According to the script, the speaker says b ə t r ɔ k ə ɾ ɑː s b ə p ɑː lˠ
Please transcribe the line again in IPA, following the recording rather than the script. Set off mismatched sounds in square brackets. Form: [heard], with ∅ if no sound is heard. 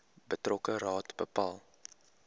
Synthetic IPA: b ə t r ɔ k ə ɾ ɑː [t] b ə p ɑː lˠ